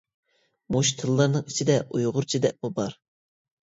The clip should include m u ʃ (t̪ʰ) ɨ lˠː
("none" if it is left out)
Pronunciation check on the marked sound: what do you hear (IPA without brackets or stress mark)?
t̪ʰ